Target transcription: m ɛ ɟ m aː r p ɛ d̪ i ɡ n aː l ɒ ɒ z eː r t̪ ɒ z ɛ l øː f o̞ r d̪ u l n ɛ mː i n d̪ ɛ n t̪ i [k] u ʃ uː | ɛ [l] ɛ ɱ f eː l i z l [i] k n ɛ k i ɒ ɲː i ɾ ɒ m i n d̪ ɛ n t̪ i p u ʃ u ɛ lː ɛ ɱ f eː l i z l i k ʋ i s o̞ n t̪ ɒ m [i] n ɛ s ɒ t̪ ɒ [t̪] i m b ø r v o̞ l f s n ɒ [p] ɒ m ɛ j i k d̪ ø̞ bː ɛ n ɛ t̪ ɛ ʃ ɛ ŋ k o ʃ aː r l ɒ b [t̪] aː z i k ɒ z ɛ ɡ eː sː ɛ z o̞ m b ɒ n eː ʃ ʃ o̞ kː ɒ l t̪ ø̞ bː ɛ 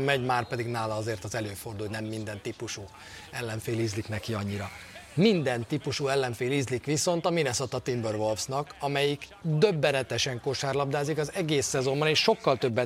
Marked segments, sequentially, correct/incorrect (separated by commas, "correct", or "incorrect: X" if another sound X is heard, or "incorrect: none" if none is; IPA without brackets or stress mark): incorrect: p, incorrect: lː, correct, correct, correct, incorrect: k, incorrect: d̪